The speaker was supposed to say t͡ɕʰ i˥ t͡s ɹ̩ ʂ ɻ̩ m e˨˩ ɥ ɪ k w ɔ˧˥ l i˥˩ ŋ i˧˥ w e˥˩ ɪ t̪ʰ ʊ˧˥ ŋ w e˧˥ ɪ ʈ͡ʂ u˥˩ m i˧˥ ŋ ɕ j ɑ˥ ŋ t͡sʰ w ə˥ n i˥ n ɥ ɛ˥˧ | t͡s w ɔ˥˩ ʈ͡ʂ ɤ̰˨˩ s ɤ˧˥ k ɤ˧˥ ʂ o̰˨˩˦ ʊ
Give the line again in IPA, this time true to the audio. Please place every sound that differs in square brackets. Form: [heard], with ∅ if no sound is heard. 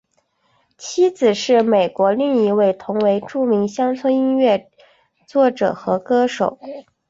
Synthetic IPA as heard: t͡ɕʰ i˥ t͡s ɹ̩ ʂ ɻ̩ m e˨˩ [∅] ɪ k w ɔ˧˥ l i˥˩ ŋ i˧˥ w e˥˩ ɪ t̪ʰ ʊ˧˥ ŋ w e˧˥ ɪ ʈ͡ʂ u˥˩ m i˧˥ ŋ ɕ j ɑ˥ ŋ t͡sʰ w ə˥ n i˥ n ɥ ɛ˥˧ | t͡s w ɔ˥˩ ʈ͡ʂ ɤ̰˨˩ [x] ɤ˧˥ k [ɤ˥] ʂ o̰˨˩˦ ʊ